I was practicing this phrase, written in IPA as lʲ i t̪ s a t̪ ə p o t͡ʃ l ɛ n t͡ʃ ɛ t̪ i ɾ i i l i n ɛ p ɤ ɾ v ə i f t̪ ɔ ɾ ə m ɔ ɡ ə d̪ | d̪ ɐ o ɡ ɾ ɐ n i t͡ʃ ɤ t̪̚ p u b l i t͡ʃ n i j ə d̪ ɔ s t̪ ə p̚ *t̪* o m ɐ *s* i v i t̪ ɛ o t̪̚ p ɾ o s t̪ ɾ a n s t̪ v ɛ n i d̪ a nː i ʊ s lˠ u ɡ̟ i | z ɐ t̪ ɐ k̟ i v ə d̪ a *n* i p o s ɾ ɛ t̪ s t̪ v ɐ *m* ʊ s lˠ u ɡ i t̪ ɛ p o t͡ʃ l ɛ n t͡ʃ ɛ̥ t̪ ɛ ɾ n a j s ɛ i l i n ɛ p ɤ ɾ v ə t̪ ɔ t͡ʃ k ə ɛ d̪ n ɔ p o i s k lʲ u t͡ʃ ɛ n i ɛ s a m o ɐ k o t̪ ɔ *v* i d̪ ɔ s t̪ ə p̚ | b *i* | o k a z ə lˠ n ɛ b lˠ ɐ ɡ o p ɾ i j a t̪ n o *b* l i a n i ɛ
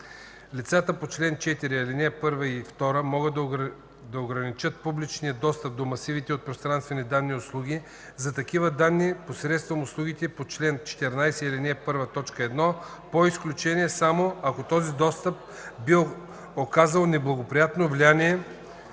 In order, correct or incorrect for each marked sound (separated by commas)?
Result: incorrect, correct, incorrect, correct, incorrect, correct, incorrect